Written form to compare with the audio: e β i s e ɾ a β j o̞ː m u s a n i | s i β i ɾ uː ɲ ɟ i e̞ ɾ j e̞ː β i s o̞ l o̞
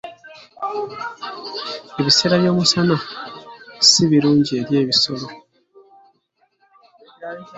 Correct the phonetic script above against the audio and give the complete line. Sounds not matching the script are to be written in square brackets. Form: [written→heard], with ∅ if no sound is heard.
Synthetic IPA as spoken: e β i s e ɾ a β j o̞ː m u s a n [i→a] | s i β i ɾ uː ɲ ɟ i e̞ ɾ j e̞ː β i s o̞ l o̞